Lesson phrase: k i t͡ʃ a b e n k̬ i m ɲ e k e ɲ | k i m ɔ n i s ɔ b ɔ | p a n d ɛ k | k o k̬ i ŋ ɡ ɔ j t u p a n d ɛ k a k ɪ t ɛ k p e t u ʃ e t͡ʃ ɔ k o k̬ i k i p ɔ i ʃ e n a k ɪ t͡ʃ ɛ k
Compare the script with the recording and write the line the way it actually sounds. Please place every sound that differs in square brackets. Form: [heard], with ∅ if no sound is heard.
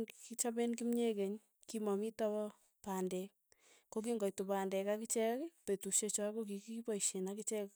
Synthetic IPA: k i t͡ʃ a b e n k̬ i m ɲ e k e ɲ | k i m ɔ [m] i [t] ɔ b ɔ | p a n d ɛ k | k o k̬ i ŋ ɡ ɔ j t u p a n d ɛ k a k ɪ [t͡ʃ] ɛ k p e t u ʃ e t͡ʃ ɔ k o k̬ i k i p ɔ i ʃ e n a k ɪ t͡ʃ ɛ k